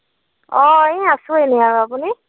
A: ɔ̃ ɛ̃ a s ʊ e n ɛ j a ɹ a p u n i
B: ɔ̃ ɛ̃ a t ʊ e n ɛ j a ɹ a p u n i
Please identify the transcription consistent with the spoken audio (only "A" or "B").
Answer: A